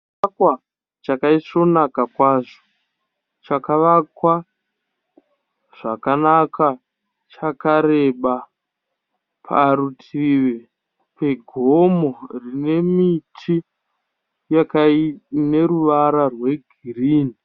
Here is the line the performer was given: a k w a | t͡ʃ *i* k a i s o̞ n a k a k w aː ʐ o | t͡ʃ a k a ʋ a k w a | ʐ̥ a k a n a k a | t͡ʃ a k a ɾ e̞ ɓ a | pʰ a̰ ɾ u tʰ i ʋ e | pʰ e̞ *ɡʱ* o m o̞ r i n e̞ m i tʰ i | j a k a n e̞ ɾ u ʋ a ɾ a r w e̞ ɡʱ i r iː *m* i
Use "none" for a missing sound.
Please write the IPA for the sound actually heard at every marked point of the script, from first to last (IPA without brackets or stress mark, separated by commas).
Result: a, ɡʱ, n